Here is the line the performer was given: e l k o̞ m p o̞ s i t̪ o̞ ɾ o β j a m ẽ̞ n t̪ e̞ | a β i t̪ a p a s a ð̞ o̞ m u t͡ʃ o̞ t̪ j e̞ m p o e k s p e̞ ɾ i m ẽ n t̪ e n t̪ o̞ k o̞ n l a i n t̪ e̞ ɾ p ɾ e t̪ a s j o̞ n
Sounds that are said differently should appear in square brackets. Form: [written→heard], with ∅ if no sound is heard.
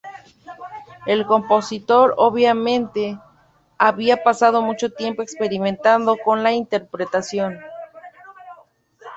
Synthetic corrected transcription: e l k o̞ m p o̞ s i t̪ o̞ ɾ o β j a m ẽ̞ n t̪ e̞ | a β i [t̪→∅] a p a s a ð̞ o̞ m u t͡ʃ o̞ t̪ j e̞ m p o e k s p e̞ ɾ i m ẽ n t̪ [e→a] n [t̪→d̪] o̞ k o̞ n l a i n t̪ e̞ ɾ p ɾ e t̪ a s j o̞ n